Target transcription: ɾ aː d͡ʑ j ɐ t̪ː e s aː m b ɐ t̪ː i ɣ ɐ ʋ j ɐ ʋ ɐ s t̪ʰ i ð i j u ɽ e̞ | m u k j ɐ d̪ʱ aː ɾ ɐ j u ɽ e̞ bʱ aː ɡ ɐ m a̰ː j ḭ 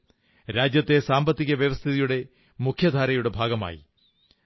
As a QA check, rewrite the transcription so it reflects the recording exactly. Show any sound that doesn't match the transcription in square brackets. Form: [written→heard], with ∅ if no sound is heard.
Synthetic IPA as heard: ɾ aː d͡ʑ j ɐ t̪ː e s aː m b ɐ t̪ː i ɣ ɐ ʋ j ɐ ʋ ɐ s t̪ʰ i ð i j u ɽ e̞ | m u [k→kʰ] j ɐ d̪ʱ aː ɾ ɐ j u ɽ e̞ bʱ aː ɡ ɐ m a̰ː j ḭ